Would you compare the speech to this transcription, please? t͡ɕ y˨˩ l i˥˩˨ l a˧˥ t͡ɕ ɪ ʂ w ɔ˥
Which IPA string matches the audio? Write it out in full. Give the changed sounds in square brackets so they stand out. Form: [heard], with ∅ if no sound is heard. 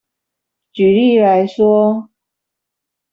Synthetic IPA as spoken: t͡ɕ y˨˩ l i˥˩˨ l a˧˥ [∅] ɪ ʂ w ɔ˥